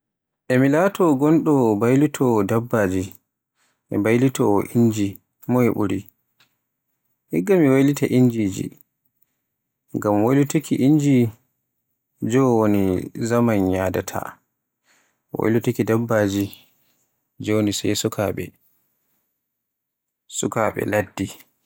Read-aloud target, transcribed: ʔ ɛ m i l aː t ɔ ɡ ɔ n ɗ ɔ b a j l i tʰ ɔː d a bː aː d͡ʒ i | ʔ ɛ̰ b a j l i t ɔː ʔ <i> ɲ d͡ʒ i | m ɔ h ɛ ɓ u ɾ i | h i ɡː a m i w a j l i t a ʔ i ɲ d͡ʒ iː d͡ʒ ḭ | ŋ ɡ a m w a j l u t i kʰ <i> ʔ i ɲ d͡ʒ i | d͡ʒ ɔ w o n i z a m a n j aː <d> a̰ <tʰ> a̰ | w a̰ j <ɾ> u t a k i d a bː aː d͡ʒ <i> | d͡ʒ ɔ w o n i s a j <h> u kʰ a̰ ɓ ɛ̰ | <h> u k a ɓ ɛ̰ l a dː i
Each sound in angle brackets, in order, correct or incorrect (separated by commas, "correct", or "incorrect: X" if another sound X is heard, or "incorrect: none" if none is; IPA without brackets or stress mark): correct, correct, correct, correct, incorrect: l, correct, incorrect: s, incorrect: s